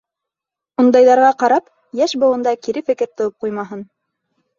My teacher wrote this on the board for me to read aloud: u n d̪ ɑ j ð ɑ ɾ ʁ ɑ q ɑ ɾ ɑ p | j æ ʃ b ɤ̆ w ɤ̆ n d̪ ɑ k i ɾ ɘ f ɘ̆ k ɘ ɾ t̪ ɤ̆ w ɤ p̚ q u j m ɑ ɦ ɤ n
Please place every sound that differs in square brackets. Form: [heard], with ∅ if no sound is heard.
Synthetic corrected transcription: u n d̪ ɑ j ð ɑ ɾ ʁ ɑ q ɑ ɾ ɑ p | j æ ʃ b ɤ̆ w ɤ̆ n d̪ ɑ k i ɾ ɘ f ɘ̆ k ɘ ɾ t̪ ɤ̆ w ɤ p̚ q u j m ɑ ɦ ɤ n